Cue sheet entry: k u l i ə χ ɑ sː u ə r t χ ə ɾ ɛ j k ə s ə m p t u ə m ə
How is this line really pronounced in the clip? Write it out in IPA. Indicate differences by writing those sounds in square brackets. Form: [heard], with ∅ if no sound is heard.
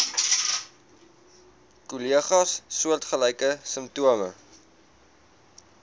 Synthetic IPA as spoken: k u l i ə χ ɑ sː u ə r t χ ə [l] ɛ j k ə s ə m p t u ə m ə